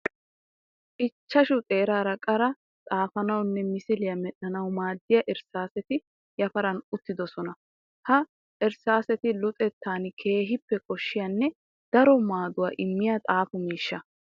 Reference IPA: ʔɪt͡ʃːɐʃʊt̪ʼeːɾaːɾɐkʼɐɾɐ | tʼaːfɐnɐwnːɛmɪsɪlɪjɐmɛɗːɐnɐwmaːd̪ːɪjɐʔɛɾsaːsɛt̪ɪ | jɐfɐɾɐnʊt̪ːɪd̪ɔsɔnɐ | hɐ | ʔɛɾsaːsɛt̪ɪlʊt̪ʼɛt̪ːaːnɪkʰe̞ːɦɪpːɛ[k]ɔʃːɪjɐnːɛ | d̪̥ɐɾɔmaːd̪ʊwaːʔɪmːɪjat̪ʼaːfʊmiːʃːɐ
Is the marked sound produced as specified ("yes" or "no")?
no